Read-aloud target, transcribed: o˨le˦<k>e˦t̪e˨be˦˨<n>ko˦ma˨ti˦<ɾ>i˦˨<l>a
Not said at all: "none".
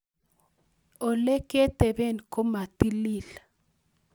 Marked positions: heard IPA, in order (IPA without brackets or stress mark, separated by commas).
k, n, l, l